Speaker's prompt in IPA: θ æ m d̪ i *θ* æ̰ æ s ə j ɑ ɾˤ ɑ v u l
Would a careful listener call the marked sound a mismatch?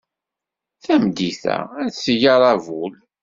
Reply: no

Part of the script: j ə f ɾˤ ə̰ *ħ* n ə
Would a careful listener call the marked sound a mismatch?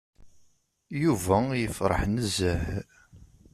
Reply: no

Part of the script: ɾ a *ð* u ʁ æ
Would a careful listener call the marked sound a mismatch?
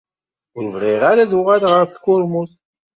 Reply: no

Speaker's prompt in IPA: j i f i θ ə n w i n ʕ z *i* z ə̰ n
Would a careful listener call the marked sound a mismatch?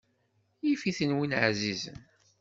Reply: no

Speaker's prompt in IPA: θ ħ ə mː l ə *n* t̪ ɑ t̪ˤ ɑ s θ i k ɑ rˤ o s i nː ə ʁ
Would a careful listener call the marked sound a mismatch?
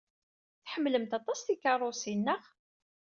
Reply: yes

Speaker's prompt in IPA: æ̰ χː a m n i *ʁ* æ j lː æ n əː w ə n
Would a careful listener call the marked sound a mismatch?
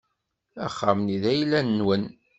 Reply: yes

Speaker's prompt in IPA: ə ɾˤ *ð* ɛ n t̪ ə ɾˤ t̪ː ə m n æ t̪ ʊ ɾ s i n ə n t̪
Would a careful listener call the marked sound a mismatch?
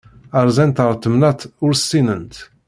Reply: yes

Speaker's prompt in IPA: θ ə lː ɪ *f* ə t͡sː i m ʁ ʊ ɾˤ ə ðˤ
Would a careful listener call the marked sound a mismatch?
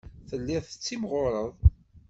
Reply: yes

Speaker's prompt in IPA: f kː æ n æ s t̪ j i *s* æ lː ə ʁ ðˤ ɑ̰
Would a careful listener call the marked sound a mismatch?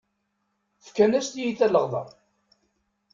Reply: yes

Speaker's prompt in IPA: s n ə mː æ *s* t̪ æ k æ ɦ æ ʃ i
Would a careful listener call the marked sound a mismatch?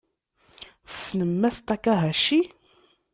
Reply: no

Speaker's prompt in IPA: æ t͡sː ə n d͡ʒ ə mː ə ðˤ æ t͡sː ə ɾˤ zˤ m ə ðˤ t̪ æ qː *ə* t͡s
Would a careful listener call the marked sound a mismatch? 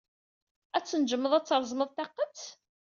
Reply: no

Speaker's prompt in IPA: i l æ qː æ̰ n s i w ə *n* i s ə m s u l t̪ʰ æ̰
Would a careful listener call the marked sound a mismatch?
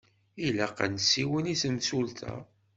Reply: no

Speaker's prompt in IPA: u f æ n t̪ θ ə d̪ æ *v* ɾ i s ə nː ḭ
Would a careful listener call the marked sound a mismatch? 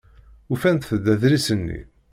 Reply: yes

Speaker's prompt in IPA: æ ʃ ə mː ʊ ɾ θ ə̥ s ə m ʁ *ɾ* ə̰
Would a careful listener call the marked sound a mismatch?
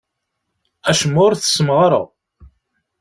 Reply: no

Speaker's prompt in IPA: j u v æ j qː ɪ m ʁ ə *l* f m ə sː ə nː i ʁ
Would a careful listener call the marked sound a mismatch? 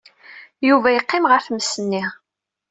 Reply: yes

